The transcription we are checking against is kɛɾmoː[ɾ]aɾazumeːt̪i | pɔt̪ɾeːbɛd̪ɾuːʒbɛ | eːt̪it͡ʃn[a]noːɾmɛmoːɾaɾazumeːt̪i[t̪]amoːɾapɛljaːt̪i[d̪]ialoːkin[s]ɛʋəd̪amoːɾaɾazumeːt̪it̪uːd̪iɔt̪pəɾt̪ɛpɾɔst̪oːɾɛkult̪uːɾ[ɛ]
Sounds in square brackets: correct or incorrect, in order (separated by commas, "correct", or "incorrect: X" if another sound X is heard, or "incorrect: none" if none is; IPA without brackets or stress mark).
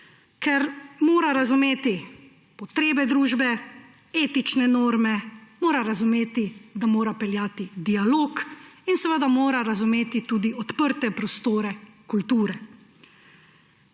correct, incorrect: ɛ, incorrect: d̪, correct, correct, correct